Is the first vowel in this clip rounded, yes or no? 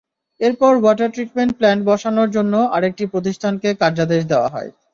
no